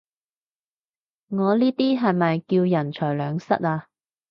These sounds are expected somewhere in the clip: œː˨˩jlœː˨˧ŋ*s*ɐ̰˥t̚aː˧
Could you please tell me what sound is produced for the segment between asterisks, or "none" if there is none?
s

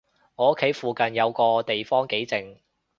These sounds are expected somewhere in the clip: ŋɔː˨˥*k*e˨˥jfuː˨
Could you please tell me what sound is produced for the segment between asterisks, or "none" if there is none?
kʰ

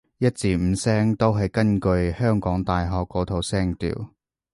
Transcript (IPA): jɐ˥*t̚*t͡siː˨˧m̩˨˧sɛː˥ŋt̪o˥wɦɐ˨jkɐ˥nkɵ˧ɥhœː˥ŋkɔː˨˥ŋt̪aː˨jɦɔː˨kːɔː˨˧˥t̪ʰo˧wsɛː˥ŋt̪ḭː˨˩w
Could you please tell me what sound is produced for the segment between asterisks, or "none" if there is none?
t̚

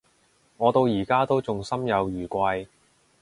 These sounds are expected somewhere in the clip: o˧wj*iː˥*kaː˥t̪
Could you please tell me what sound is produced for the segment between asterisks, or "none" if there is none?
iː˨˩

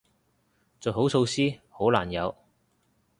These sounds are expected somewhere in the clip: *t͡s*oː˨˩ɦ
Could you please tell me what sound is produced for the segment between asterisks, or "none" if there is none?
t͡s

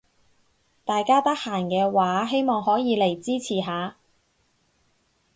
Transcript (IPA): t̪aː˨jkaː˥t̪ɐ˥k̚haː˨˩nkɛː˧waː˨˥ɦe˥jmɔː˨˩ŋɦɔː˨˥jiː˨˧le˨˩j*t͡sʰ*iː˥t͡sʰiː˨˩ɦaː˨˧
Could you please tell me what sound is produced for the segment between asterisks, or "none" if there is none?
t͡s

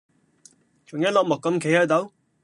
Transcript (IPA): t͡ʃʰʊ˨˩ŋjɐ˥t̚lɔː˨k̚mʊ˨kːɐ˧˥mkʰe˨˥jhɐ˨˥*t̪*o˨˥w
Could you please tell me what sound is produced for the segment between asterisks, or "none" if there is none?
t̪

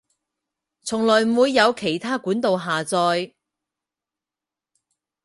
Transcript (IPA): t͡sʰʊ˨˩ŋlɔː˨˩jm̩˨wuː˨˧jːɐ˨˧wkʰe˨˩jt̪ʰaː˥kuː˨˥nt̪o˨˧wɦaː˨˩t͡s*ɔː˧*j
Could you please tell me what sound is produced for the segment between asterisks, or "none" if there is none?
ɔː˧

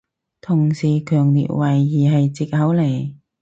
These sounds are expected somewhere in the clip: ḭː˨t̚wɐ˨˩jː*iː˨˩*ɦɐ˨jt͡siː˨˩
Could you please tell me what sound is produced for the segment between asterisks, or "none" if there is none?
iː˨˩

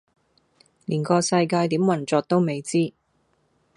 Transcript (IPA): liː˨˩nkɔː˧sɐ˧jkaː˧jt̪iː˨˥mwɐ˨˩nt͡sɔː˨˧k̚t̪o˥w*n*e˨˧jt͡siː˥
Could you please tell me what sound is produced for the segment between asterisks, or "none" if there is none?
m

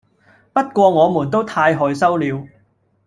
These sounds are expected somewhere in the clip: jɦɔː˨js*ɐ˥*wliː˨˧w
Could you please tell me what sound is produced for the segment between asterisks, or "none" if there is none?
ɐ˥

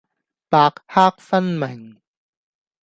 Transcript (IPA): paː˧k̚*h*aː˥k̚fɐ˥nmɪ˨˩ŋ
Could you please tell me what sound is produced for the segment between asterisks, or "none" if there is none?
h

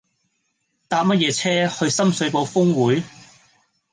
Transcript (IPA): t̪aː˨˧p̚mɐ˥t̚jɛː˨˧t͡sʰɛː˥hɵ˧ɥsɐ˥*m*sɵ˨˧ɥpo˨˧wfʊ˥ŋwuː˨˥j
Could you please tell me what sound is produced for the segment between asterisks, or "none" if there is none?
m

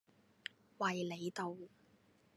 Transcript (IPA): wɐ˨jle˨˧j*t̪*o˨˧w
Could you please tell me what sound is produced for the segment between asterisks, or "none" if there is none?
t̪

